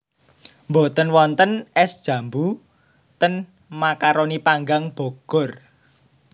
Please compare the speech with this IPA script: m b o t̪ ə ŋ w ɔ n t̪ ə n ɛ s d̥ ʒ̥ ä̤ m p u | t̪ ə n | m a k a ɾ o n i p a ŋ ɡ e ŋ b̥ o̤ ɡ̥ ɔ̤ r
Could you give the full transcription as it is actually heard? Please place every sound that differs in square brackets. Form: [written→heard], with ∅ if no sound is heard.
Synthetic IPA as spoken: m b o t̪ ə [ŋ→n] w ɔ n t̪ ə n ɛ s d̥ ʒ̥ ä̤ m [p→b] u | t̪ ə n | m a k a ɾ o n i p a ŋ ɡ [e→a] ŋ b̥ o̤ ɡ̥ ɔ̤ r